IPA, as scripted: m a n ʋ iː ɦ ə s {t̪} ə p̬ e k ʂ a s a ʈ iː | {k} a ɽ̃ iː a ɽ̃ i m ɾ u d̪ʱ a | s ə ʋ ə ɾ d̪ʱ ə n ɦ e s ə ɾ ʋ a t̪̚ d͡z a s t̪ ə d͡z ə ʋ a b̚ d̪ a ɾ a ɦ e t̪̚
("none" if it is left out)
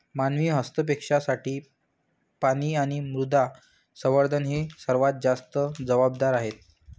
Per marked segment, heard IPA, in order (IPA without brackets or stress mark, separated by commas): t̪, p